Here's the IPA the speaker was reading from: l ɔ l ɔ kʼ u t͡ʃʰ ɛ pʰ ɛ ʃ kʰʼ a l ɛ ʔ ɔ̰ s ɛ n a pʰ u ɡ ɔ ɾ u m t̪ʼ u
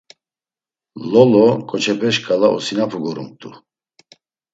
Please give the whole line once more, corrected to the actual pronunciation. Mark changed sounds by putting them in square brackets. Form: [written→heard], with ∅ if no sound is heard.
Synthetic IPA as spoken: l ɔ l ɔ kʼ [u→ɔ] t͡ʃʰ ɛ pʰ ɛ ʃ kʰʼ a l [ɛ→a] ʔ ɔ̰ s [ɛ→i] n a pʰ u ɡ ɔ ɾ u m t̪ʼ u